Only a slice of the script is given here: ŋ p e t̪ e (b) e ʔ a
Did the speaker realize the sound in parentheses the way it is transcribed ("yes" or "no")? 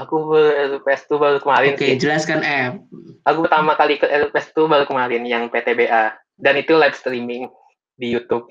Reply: yes